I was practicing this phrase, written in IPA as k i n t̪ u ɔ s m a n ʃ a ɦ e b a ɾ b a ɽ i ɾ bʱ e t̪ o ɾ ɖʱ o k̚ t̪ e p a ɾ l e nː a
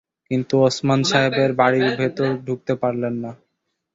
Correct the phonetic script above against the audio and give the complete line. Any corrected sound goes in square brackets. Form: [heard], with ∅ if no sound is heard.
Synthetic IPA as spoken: k i n t̪ u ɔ s m a n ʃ a ɦ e b [e] ɾ b a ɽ i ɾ bʱ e t̪ o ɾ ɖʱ [u] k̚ t̪ e p a ɾ l e nː a